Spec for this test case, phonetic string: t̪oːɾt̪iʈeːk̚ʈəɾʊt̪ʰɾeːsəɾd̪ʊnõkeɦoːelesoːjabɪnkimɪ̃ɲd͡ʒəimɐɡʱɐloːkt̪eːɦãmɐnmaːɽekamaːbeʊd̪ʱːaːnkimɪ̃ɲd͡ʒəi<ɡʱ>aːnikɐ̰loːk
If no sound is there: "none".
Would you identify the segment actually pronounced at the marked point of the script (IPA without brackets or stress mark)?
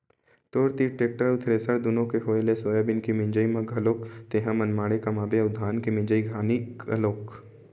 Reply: ɡʱ